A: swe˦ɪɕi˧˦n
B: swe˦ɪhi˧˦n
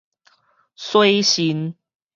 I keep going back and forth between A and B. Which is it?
A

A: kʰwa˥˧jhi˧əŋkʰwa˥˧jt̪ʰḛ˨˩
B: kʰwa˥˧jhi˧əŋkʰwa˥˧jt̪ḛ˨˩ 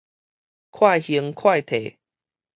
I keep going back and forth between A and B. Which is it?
A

